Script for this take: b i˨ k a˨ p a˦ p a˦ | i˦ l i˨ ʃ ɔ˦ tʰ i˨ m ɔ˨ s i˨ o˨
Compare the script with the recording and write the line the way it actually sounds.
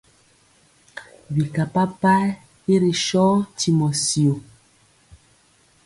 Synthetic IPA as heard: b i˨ k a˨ p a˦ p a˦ | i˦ ɾ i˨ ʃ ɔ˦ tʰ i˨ m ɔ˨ s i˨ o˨